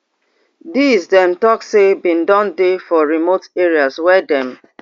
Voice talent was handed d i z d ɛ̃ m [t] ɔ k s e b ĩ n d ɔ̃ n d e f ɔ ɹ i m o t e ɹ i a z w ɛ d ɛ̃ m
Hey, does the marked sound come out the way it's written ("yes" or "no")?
yes